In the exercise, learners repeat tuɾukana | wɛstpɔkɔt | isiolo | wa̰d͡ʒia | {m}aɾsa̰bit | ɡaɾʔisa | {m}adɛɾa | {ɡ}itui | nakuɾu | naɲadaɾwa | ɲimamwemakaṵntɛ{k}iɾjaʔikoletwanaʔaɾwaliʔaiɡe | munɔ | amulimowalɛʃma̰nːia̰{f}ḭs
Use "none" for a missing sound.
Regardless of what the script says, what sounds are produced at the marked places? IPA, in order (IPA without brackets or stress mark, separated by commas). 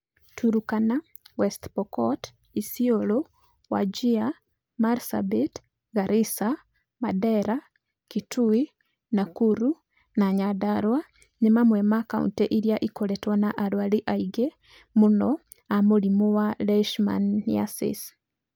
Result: m, m, k, ʔ, s